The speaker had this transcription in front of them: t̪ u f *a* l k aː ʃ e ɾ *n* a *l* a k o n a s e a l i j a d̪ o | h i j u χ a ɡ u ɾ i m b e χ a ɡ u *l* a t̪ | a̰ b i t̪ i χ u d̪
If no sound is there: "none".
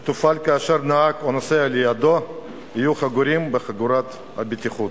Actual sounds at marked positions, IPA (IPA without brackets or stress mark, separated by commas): a, n, none, ɾ